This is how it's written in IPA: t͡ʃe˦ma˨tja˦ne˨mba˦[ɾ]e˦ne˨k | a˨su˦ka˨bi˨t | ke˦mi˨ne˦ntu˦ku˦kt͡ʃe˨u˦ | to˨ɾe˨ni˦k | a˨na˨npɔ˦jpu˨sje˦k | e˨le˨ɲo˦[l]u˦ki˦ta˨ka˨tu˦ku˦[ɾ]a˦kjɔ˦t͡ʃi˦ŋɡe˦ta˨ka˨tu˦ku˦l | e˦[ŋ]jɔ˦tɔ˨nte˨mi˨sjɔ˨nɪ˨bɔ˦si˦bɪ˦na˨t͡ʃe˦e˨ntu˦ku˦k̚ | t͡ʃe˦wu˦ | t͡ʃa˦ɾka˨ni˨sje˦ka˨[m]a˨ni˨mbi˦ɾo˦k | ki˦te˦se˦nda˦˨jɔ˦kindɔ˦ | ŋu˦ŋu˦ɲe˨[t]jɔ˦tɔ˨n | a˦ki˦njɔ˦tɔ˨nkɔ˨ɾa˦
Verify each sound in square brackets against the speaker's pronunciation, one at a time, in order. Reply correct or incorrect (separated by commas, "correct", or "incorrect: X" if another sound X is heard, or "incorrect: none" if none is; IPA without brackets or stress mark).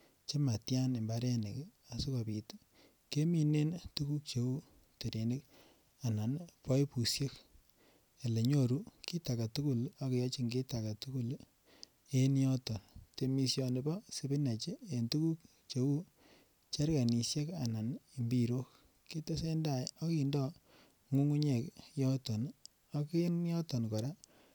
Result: correct, incorrect: ɾ, incorrect: l, incorrect: n, incorrect: n, incorrect: k